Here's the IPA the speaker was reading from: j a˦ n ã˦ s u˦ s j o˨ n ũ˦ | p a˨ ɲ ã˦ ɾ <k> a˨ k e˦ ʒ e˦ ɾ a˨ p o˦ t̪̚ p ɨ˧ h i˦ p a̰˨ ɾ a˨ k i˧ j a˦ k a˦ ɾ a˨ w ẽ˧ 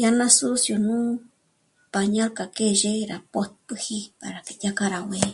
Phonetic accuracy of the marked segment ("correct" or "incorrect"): correct